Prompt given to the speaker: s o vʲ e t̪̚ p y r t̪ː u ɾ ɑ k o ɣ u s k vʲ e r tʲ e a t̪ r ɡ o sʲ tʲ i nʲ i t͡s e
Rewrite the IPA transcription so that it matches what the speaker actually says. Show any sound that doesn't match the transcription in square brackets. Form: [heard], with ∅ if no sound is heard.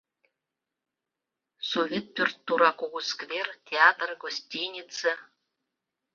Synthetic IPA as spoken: s o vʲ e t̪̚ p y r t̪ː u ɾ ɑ k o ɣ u s k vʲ e r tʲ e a t̪ r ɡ o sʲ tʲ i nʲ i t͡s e